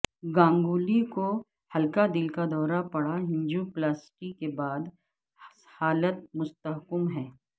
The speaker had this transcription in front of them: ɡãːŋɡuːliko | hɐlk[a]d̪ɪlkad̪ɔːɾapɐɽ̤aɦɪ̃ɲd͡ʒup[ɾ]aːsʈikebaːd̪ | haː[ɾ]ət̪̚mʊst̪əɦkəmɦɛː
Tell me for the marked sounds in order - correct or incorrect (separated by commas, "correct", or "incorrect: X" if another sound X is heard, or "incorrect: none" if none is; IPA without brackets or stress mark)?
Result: correct, incorrect: l, incorrect: l